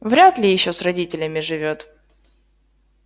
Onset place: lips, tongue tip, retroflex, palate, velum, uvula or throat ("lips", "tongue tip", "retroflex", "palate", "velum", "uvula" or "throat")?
lips